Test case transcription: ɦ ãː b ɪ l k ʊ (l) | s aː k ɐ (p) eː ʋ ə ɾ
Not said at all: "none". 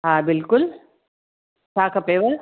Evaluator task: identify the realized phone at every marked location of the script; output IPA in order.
l, p

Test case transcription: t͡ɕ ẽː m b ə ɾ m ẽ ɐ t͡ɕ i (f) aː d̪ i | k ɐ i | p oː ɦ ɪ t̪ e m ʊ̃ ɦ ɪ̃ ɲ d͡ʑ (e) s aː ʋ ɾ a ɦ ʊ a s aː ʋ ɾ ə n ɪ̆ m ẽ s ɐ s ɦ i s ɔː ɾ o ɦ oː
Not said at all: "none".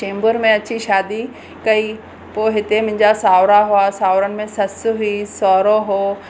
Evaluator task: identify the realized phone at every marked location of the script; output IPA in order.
ʃ, a

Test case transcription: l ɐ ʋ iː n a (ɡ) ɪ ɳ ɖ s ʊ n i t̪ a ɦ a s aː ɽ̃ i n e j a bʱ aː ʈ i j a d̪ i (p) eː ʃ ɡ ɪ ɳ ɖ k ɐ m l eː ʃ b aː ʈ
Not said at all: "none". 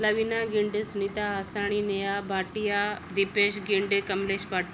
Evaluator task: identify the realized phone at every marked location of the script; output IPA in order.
ɡ, p

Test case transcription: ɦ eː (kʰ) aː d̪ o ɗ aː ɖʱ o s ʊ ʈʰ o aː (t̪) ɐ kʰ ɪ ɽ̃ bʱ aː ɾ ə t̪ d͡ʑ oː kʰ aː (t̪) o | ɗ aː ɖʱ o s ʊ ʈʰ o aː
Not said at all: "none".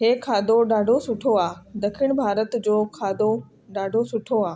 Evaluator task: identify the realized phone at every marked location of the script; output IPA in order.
kʰ, d̪, d̪

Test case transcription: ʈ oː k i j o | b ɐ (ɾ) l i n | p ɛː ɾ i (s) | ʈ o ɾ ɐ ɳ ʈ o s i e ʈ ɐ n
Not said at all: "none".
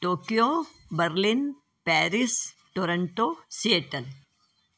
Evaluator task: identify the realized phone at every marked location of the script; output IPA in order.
ɾ, s

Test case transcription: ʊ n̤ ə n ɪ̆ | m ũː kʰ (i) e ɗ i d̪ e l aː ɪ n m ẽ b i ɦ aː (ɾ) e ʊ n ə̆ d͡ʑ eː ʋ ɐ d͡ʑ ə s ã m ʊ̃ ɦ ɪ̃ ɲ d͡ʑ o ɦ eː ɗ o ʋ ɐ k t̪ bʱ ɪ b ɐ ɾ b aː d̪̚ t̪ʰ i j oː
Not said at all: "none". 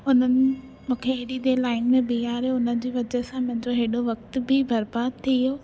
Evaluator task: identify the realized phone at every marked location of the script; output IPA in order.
e, ɾ

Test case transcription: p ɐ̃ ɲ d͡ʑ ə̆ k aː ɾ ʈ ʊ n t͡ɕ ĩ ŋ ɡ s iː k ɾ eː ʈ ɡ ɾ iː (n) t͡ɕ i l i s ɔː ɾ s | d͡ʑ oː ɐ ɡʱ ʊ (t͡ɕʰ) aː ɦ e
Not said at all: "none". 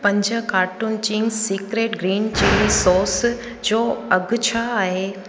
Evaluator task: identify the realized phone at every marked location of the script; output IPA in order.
n, t͡ɕʰ

